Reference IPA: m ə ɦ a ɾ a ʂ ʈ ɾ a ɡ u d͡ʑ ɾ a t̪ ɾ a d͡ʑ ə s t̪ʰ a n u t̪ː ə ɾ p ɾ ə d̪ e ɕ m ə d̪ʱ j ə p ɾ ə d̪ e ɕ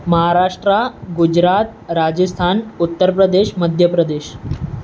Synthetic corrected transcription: m ə ɦ a ɾ a ʂ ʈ ɾ a ɡ u d͡ʑ ɾ a t̪ ɾ a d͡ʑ ə s t̪ʰ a n u t̪ː ə ɾ p ɾ ə d̪ e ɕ m ə d̪ʱ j ə p ɾ ə d̪ e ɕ